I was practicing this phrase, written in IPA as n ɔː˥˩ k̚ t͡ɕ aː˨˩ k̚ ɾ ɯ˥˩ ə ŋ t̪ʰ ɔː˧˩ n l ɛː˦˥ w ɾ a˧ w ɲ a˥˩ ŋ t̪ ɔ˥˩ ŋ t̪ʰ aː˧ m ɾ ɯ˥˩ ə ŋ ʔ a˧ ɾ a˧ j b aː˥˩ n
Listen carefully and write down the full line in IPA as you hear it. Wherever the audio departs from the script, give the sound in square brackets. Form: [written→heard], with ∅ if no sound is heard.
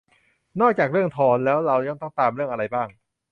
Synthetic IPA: n ɔː˥˩ k̚ t͡ɕ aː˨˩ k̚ ɾ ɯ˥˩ ə ŋ t̪ʰ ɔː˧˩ n l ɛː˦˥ w ɾ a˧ w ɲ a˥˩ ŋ t̪ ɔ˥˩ ŋ [t̪ʰ→t̪] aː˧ m ɾ ɯ˥˩ ə ŋ ʔ a˧ ɾ a˧ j b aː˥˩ [n→ŋ]